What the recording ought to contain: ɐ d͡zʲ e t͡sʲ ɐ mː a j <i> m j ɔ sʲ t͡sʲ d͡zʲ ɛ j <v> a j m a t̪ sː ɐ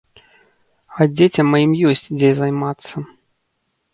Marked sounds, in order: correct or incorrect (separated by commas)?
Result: correct, incorrect